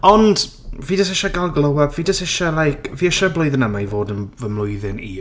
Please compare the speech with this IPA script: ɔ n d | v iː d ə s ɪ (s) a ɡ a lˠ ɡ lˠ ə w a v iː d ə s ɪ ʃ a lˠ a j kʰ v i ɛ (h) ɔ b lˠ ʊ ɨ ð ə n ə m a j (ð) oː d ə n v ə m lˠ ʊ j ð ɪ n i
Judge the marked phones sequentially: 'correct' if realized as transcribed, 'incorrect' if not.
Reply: incorrect: ʃ, incorrect: ʃ, incorrect: v

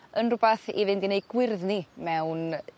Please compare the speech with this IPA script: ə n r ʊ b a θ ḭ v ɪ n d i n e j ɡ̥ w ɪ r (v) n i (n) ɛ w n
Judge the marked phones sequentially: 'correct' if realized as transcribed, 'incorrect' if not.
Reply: incorrect: ð, incorrect: m

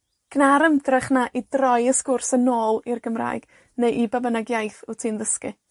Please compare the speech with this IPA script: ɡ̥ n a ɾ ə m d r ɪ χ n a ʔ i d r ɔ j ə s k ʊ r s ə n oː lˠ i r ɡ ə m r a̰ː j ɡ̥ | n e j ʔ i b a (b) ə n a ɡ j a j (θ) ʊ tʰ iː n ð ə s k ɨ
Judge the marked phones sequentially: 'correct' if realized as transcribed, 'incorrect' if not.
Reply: correct, correct

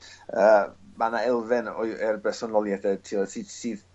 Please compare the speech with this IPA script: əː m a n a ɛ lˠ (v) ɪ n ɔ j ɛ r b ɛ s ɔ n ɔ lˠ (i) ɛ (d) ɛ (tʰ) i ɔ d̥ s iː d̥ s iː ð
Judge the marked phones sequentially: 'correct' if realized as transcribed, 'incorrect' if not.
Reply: correct, incorrect: j, correct, correct

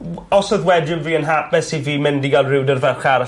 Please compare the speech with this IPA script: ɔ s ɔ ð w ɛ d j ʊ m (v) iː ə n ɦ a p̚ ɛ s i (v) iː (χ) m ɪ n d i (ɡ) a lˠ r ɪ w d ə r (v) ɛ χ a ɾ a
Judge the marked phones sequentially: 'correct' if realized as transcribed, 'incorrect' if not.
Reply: correct, correct, incorrect: none, correct, correct

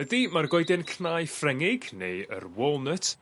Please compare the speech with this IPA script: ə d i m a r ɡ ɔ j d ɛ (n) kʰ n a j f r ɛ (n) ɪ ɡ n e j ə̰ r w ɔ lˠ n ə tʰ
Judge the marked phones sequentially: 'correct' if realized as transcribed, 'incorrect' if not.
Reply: correct, incorrect: ŋ

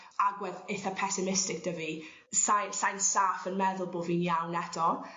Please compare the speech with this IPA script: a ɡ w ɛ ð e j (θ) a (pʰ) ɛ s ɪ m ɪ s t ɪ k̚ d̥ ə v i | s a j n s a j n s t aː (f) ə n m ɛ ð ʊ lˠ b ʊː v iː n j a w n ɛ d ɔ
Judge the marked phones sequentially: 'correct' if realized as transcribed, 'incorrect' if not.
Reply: correct, correct, correct

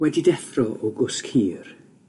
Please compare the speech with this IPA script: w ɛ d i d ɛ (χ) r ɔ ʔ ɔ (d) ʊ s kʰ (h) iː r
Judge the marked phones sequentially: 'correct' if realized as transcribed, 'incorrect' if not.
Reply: incorrect: θ, incorrect: ɡ, correct

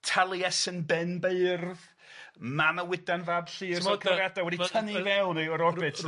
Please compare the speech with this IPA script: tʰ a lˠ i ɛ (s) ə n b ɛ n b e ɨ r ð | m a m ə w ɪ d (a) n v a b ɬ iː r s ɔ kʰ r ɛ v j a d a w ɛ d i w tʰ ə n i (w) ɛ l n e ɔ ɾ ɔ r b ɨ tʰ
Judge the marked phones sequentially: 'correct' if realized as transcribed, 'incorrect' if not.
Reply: correct, correct, incorrect: v

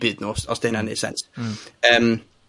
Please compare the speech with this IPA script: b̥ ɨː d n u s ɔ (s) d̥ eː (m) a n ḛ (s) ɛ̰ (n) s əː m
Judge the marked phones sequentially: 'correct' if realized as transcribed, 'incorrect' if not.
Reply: correct, incorrect: n, correct, correct

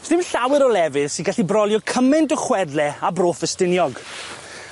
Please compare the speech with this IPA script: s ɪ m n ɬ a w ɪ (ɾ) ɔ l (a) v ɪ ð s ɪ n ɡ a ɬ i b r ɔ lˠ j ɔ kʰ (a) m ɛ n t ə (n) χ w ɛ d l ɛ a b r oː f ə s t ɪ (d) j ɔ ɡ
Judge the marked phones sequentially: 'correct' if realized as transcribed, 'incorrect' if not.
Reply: correct, incorrect: ɛ, incorrect: ə, incorrect: none, incorrect: n

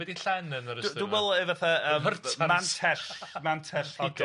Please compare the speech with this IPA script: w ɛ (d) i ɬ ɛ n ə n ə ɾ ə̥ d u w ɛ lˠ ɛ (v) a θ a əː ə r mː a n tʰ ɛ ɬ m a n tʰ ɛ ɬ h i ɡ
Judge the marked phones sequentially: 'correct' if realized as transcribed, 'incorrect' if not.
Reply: correct, correct

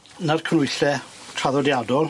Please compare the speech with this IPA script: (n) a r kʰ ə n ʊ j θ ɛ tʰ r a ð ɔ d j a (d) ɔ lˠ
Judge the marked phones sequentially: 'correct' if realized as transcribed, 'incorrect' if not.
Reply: correct, correct

